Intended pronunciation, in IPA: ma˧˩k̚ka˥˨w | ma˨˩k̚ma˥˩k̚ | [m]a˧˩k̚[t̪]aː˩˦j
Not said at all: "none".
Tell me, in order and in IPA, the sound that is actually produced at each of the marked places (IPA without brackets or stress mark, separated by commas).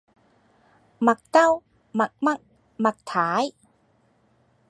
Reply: m, t̪ʰ